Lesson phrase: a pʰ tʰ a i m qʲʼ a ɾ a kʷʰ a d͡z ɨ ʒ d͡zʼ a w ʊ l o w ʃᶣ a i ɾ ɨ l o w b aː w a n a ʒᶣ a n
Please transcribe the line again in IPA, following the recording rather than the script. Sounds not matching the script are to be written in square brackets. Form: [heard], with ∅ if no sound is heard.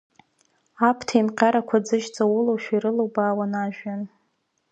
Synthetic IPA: a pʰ tʰ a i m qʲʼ a ɾ a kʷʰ a d͡z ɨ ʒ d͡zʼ a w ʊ l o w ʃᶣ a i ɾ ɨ l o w b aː w a n a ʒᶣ a n